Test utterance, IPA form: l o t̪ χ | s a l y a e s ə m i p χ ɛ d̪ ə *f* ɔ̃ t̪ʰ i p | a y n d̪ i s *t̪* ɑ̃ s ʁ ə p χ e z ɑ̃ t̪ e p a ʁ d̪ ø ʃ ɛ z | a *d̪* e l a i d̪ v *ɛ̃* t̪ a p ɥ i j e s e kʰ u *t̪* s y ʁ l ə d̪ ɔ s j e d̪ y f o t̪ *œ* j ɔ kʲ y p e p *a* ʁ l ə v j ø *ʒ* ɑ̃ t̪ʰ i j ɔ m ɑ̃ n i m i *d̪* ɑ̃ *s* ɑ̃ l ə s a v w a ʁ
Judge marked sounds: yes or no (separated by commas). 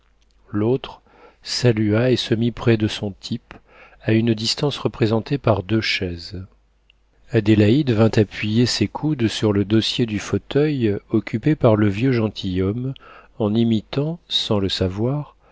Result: no, yes, yes, yes, no, yes, yes, yes, no, yes